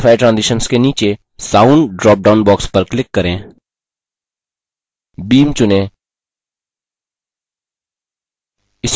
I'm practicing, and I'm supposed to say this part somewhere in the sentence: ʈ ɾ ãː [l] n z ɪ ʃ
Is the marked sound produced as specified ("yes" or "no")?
no